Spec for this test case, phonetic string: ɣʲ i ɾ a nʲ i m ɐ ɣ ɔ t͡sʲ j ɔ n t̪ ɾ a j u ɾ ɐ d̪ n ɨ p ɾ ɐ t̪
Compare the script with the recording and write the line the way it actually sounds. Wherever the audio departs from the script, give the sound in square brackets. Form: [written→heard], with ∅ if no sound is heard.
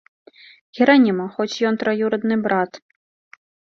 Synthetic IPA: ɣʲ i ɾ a nʲ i m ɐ [ɣ→x] ɔ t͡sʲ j ɔ n t̪ ɾ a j u ɾ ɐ d̪ n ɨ [p→b] ɾ [ɐ→a] t̪